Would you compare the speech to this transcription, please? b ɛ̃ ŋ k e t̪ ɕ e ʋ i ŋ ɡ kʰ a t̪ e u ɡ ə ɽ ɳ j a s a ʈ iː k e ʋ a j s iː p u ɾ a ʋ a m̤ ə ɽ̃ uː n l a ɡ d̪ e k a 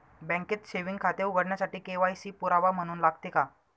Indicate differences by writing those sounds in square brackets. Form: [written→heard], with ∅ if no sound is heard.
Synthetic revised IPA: b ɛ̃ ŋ k e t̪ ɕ e ʋ i ŋ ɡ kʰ a t̪ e u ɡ ə ɽ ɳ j a s a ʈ iː k e ʋ a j s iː p u ɾ a ʋ a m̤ ə ɽ̃ uː n l a ɡ [d̪→t̪] e k a